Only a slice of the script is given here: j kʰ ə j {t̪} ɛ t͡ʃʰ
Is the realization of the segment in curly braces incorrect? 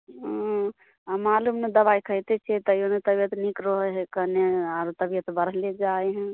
no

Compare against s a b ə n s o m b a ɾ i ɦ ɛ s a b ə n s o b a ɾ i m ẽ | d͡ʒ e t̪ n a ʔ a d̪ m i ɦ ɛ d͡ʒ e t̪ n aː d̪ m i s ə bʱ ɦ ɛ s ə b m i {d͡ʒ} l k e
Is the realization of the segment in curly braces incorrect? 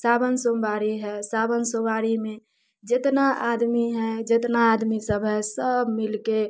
yes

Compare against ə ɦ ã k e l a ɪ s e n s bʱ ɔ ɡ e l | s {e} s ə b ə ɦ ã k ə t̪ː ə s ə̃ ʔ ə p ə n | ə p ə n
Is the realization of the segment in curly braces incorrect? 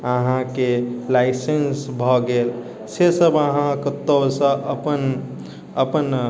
no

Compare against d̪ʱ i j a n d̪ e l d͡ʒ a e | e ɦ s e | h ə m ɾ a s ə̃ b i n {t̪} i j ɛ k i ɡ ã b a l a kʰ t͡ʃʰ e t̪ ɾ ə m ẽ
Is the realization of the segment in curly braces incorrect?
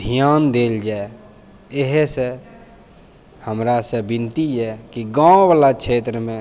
no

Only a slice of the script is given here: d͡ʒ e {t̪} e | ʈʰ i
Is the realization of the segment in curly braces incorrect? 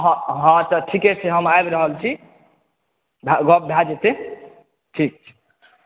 no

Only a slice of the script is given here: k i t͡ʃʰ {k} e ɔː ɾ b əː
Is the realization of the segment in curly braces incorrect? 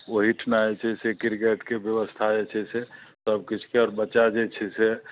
no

